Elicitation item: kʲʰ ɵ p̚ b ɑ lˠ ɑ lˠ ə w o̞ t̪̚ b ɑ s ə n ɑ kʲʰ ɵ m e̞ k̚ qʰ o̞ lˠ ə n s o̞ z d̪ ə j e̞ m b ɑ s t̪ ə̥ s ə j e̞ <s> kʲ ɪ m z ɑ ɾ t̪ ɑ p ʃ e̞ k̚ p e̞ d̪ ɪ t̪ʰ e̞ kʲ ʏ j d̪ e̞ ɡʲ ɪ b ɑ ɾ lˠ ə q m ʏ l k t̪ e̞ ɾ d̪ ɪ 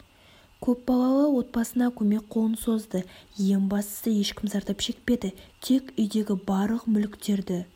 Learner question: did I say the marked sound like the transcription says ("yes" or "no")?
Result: no